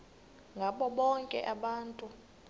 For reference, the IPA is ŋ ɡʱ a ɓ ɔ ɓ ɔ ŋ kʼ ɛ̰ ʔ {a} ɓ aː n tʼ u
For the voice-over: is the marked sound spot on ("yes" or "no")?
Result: yes